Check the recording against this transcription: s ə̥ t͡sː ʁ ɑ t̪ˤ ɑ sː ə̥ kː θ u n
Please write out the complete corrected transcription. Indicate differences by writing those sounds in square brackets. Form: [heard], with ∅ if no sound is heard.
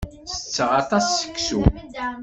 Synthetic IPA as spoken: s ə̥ t͡sː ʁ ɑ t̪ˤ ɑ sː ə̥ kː [s] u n